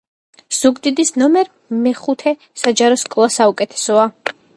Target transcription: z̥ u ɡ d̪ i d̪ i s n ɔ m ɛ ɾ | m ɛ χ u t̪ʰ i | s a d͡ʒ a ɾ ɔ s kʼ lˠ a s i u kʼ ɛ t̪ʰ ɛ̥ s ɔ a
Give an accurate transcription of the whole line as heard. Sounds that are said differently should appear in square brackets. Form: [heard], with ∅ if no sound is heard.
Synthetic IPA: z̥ u ɡ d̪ i d̪ i s n ɔ m ɛ ɾ | m ɛ χ u t̪ʰ [ɛ] | s a d͡ʒ a ɾ ɔ s kʼ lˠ a s [a] u kʼ ɛ t̪ʰ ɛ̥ s ɔ a

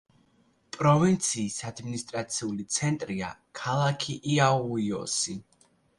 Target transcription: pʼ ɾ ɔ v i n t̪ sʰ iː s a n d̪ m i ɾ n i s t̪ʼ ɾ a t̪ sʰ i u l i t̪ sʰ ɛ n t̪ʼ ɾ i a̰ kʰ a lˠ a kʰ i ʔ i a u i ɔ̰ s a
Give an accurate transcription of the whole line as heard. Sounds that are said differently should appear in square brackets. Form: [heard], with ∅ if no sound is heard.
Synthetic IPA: pʼ ɾ ɔ v i n t̪ sʰ iː s a [∅] d̪ m i [∅] n i s t̪ʼ ɾ a t̪ sʰ i u l i t̪ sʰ ɛ n t̪ʼ ɾ i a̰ kʰ a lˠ a kʰ i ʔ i a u i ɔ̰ s [i]

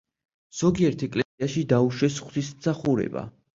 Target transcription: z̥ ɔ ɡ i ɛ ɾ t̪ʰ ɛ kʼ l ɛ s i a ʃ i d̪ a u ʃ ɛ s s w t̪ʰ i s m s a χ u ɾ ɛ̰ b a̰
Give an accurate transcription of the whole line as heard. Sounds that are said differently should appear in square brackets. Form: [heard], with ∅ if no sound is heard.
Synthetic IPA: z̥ ɔ ɡ i ɛ ɾ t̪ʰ ɛ kʼ l ɛ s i a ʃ i d̪ a u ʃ ɛ s [χ] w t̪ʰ i s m s a χ u ɾ ɛ̰ b a̰

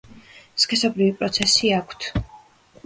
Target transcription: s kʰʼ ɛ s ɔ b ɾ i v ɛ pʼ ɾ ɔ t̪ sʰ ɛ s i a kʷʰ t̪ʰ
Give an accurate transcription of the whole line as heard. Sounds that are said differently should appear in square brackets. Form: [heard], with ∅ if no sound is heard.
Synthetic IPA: s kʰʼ ɛ s ɔ b ɾ i v [i] pʼ ɾ ɔ t̪ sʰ ɛ s i a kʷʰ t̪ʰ

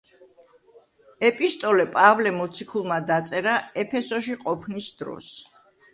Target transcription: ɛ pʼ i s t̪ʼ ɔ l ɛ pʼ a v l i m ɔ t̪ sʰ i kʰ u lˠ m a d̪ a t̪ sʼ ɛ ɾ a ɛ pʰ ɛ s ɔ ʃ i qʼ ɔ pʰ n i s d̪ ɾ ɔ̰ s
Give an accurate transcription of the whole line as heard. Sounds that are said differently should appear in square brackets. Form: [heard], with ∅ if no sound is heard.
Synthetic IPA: ɛ pʼ i s t̪ʼ ɔ l ɛ pʼ a v l [ɛ] m ɔ t̪ sʰ i kʰ u lˠ m a d̪ a t̪ sʼ ɛ ɾ a ɛ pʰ ɛ s ɔ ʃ i qʼ ɔ pʰ n i s d̪ ɾ ɔ̰ s

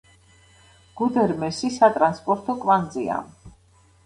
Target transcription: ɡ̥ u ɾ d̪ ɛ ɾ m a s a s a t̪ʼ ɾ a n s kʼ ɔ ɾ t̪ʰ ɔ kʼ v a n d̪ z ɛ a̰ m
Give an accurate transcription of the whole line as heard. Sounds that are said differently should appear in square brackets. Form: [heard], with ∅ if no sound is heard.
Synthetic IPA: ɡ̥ u [∅] d̪ ɛ ɾ m [ɛ] s [i] s a t̪ʼ ɾ a n s [pʼ] ɔ ɾ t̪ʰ ɔ kʼ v a n d̪ z [i] a̰ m

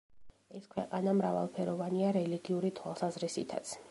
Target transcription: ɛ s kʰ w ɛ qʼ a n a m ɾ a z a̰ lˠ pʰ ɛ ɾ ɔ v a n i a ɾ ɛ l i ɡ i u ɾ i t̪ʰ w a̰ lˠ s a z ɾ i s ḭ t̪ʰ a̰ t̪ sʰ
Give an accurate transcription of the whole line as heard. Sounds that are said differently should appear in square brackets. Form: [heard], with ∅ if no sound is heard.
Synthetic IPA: ɛ s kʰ w ɛ qʼ a n a m ɾ a [v] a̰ lˠ pʰ ɛ ɾ ɔ v a n i a ɾ ɛ l i ɡ i u ɾ i t̪ʰ w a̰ lˠ s a z ɾ i s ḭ t̪ʰ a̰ t̪ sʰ

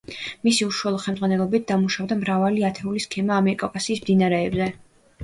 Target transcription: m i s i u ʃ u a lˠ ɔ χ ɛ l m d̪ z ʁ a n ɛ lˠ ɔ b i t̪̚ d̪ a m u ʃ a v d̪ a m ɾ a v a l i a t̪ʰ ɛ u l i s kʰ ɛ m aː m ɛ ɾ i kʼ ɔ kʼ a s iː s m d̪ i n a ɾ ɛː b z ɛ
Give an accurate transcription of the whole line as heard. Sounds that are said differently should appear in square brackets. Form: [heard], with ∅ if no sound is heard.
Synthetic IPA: m i s i u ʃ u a lˠ ɔ χ ɛ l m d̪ z ʁ a n ɛ lˠ ɔ b i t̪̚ d̪ a m u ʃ a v d̪ a m ɾ a v a l i a t̪ʰ ɛ u l i s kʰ ɛ m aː m ɛ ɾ i kʼ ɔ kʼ a s iː s m d̪ i n a ɾ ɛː b z ɛ

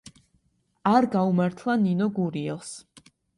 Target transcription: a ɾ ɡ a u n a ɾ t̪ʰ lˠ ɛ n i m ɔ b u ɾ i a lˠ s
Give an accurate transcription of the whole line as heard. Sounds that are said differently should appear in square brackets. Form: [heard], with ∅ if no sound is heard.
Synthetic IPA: a ɾ ɡ a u [m] a ɾ t̪ʰ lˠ [a] n i [n] ɔ [ɡ] u ɾ i [ɛ] lˠ s

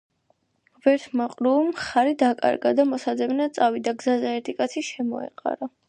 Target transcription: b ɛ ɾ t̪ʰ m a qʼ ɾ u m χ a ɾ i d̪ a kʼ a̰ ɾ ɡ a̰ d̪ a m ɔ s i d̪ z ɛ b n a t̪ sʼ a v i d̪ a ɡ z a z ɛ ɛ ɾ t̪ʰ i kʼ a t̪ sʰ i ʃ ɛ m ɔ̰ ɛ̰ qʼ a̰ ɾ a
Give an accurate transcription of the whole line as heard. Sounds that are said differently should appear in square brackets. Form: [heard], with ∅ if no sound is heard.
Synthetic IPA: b ɛ ɾ t̪ʰ m a qʼ ɾ u m χ a ɾ i d̪ a kʼ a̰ ɾ ɡ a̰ d̪ a m ɔ s [a] d̪ z ɛ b n a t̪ sʼ a v i d̪ a ɡ z a z ɛ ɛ ɾ t̪ʰ i kʼ a t̪ sʰ i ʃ ɛ m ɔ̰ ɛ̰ qʼ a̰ ɾ a

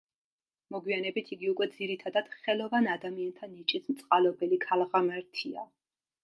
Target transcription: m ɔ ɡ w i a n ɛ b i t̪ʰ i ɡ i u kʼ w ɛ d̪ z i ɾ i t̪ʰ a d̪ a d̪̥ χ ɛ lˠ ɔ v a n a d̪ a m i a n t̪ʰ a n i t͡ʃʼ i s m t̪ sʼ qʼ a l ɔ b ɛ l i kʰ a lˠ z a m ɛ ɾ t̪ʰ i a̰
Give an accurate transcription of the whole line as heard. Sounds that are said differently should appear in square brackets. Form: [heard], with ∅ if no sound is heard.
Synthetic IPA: m ɔ ɡ w i a n ɛ b i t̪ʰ i ɡ i u kʼ w ɛ d̪ z i ɾ i t̪ʰ a d̪ a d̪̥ χ ɛ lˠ ɔ v a n a d̪ a m i a n t̪ʰ a n i t͡ʃʼ i s m t̪ sʼ qʼ a l ɔ b ɛ l i kʰ a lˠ [ʁ] a m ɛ ɾ t̪ʰ i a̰

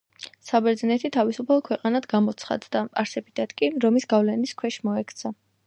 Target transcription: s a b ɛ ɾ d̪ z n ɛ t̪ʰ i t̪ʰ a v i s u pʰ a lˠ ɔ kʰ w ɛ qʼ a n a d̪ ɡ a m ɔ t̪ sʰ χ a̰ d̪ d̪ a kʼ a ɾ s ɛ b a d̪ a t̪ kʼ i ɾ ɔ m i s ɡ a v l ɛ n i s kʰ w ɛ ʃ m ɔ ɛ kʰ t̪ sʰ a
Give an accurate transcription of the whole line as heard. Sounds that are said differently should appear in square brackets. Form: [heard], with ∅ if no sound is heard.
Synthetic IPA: s a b ɛ ɾ d̪ z n ɛ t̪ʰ i t̪ʰ a v i s u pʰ a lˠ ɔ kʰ w ɛ qʼ a n a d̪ ɡ a m ɔ t̪ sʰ χ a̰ d̪ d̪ a [pʼ] a ɾ s ɛ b [i] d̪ a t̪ kʼ i ɾ ɔ m i s ɡ a v l ɛ n i s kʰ w ɛ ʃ m ɔ ɛ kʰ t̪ sʰ a

